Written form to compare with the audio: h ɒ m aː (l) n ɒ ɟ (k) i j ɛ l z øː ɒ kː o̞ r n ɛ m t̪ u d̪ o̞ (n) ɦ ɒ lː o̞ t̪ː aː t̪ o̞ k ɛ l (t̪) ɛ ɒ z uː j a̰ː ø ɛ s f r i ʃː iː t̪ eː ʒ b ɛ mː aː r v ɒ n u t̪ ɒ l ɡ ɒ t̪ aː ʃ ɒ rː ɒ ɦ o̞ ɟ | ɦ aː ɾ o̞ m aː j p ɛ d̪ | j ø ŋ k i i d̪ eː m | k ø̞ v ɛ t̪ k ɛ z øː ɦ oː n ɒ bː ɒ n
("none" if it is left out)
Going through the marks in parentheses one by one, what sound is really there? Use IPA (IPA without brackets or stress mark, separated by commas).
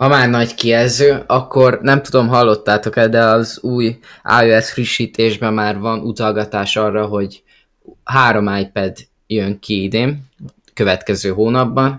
r, k, m, d̪